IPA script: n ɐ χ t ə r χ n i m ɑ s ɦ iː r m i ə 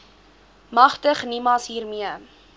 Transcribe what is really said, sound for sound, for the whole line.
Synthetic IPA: m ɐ χ t ə χ n i m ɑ s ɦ iː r m i ə